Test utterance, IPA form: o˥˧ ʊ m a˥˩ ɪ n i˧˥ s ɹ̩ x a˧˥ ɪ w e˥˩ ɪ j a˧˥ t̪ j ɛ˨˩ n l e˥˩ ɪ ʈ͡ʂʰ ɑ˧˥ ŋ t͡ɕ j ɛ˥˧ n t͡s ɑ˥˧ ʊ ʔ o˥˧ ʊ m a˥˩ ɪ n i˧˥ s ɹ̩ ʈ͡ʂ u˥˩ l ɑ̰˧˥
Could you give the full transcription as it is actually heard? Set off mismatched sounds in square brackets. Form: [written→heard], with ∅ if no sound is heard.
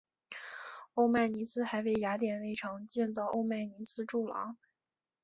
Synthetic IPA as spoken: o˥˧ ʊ m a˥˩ ɪ n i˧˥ s ɹ̩ x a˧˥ ɪ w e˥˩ ɪ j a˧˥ t̪ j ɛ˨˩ n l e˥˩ ɪ ʈ͡ʂʰ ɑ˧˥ ŋ t͡ɕ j ɛ˥˧ n t͡s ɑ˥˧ ʊ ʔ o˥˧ ʊ m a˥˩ ɪ n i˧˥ s ɹ̩ ʈ͡ʂ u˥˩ l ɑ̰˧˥